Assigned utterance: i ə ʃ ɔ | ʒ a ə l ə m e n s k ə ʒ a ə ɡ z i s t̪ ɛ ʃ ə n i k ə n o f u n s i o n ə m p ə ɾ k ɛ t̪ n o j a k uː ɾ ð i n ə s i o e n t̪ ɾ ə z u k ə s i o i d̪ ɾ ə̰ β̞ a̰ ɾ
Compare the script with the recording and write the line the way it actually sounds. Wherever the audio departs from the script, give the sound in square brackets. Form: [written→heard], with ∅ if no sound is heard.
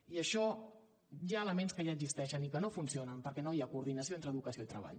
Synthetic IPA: i ə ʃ ɔ | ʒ a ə l ə m e n s k ə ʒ a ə ɡ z i s t̪ ɛ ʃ ə n i k ə n o f u n s i o n ə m p ə ɾ k ɛ [t̪→∅] n o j a k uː ɾ ð i n ə s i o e n t̪ ɾ ə [z→ð] u k ə s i o i [d̪→t̪] ɾ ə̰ β̞ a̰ [ɾ→ʎ]